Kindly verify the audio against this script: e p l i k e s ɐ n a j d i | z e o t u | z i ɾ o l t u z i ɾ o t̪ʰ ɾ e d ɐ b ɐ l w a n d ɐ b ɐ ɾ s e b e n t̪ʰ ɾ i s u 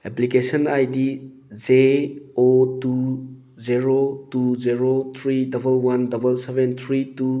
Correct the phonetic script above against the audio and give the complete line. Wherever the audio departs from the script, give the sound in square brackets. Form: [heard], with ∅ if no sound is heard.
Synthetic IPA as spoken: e p l i k e s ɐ n a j d i | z e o t u | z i ɾ o [∅] t u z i ɾ o t̪ʰ ɾ [i] d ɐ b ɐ l w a n d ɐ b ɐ [l] s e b e n t̪ʰ ɾ i [t] u